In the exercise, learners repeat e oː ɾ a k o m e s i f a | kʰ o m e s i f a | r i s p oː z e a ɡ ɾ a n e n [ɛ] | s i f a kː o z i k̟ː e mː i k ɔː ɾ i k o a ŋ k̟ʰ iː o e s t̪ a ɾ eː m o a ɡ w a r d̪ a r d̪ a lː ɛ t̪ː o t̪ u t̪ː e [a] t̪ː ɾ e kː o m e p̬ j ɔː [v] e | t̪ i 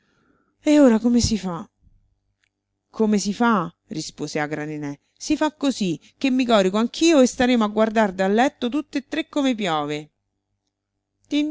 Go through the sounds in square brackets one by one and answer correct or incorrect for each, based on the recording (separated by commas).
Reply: correct, incorrect, correct